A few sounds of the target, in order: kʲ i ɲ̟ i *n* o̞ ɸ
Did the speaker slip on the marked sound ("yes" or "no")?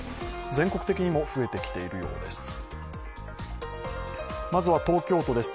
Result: yes